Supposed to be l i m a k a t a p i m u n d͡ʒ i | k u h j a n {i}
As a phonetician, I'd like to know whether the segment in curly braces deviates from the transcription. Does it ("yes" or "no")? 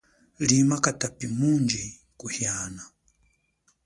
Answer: yes